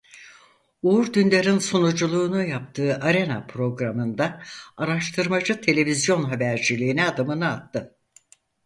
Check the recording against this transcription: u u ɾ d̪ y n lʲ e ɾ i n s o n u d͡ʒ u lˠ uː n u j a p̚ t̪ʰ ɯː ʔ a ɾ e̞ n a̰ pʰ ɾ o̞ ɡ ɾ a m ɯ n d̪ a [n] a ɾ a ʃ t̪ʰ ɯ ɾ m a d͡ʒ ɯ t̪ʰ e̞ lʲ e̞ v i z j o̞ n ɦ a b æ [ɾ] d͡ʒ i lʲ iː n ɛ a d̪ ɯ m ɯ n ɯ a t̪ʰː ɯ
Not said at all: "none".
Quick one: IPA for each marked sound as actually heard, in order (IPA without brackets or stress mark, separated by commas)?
none, ɾ